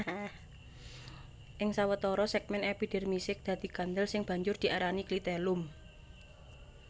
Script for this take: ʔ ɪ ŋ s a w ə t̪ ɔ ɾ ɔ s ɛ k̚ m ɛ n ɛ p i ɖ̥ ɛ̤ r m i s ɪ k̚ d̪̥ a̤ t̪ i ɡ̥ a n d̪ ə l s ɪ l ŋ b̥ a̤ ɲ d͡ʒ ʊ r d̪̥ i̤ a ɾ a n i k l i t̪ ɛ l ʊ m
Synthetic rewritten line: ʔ ɪ ŋ s a w ə t̪ ɔ ɾ ɔ s ɛ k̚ m ɛ n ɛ p i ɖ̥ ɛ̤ r m i s ɪ k̚ d̪̥ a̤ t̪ i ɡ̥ a n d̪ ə l s ɪ ŋ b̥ a̤ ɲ d͡ʒ ʊ r d̪̥ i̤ a ɾ a n i k l i t̪ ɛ l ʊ m